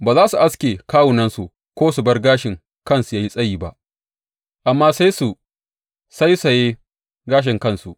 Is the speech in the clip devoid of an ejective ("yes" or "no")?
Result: no